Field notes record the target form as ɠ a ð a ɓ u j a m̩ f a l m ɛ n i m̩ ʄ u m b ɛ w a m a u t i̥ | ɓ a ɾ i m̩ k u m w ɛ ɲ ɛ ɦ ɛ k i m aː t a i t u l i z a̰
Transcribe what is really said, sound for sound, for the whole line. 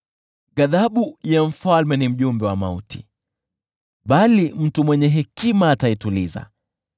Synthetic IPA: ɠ a ð a ɓ u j a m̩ f a l m ɛ n i m̩ ʄ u m b ɛ w a m a u t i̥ | ɓ a l i m̩ t u m w ɛ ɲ ɛ ɦ ɛ k i m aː t a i t u l i z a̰